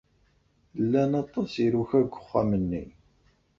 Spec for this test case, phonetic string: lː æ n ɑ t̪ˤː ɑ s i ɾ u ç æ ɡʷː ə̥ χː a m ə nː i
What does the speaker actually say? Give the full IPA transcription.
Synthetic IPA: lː æ n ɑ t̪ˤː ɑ s i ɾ u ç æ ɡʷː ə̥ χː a m ə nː i